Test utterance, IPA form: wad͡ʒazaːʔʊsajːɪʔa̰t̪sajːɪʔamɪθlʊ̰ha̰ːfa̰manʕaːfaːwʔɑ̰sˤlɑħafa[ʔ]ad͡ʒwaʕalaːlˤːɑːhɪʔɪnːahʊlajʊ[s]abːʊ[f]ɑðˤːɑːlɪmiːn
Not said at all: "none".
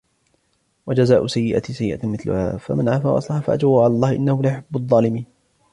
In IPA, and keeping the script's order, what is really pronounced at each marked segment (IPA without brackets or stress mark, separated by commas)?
ʔ, ħ, none